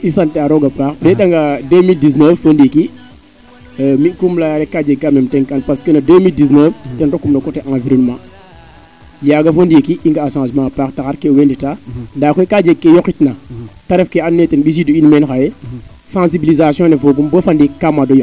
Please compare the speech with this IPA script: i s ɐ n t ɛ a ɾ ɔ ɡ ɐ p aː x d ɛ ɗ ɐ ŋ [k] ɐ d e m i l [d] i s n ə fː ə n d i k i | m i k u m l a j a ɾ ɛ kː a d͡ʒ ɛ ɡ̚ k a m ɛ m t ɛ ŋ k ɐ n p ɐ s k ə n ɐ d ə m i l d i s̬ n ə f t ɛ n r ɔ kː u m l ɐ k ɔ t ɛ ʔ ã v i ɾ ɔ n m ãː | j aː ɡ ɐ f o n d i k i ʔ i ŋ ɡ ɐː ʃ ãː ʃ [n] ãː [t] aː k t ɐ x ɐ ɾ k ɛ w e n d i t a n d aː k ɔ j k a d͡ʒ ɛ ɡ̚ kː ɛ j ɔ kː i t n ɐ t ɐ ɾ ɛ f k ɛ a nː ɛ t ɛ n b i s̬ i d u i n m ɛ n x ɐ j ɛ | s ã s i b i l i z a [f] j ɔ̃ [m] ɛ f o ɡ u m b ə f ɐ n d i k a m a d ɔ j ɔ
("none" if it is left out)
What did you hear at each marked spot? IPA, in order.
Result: ɡ, d, m, p, s, n

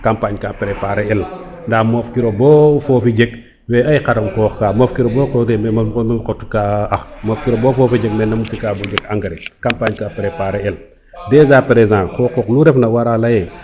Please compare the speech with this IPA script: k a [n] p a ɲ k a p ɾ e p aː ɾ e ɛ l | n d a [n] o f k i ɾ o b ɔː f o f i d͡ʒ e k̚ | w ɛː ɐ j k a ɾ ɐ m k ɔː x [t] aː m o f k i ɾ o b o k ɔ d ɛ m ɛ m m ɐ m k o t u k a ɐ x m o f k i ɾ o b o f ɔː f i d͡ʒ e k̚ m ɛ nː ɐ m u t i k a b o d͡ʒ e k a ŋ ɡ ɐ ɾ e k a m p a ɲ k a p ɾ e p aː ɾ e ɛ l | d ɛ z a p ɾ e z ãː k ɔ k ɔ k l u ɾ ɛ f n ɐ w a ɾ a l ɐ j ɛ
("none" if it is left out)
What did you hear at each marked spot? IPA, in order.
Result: m, m, k

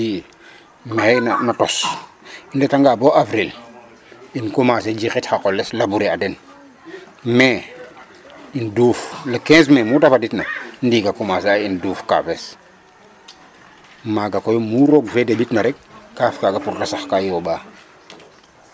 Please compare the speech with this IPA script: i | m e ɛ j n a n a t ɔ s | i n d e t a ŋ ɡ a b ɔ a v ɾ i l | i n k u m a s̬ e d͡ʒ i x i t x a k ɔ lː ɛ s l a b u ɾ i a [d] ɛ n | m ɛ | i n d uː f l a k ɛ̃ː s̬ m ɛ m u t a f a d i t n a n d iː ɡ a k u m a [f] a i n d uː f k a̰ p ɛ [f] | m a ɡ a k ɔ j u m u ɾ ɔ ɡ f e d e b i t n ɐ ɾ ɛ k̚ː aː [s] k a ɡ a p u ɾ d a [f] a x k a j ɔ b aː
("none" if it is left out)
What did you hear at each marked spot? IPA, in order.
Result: d, s, s, f, s

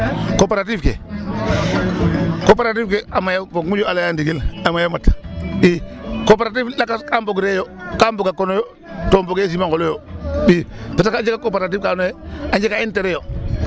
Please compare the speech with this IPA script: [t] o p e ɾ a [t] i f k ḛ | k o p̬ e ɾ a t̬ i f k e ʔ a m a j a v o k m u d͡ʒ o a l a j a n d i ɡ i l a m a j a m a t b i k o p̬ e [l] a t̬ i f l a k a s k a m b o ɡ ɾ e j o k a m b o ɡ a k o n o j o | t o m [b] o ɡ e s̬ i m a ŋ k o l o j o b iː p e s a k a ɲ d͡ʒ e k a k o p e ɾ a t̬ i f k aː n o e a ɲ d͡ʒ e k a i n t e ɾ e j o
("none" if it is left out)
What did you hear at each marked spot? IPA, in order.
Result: k, t, ɾ, b

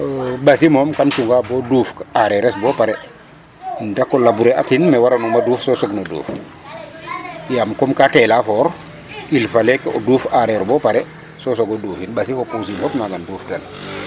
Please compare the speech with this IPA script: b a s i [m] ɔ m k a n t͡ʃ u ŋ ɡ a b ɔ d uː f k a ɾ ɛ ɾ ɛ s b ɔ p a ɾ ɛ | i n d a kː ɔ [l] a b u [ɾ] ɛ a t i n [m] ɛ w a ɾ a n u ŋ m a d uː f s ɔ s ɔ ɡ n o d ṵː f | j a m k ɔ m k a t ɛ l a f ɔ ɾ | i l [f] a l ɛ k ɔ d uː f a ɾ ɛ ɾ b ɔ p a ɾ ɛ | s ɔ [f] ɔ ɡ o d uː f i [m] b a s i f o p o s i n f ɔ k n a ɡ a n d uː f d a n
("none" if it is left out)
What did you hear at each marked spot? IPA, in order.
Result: m, l, ɾ, m, f, s, n

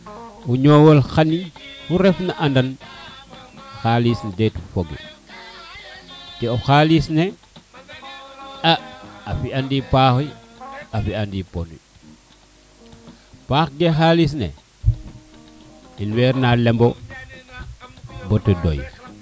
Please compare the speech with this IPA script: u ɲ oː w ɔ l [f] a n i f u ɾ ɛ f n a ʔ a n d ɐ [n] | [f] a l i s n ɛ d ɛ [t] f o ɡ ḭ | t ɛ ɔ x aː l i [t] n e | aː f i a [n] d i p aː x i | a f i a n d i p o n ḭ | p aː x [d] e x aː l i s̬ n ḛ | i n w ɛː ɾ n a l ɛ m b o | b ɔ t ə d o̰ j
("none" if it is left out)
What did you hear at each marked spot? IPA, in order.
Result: x, n, x, t, s, n, ɡ

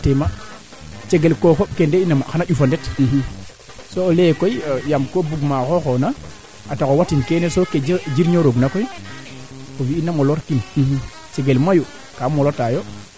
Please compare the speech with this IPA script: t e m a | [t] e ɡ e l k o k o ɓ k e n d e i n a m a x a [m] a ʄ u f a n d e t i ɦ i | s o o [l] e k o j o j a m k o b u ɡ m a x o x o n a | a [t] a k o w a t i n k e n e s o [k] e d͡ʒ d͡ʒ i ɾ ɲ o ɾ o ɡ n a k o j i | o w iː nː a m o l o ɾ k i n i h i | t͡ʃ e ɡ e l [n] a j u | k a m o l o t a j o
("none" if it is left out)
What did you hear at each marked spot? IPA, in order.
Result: t͡ʃ, n, l, t, k, m

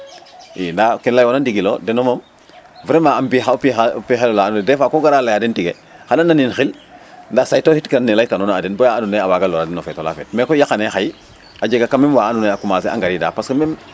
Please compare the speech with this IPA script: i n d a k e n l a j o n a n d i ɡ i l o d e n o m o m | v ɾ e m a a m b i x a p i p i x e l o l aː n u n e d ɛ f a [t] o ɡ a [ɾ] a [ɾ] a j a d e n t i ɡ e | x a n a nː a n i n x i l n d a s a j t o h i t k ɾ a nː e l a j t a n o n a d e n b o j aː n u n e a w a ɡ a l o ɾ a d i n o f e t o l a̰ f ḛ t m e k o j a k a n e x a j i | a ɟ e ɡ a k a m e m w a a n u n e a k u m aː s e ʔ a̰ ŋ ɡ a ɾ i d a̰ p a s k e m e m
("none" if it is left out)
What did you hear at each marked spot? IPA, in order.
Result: k, ɾ, l

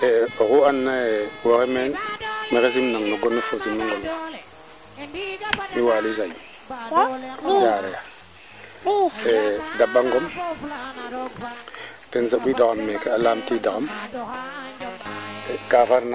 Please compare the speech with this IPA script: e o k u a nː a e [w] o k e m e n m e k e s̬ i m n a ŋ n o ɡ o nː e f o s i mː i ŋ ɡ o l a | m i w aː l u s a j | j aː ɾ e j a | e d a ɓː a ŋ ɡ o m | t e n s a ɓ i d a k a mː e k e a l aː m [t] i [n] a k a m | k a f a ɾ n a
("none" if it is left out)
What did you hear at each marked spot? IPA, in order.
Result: w, t, d

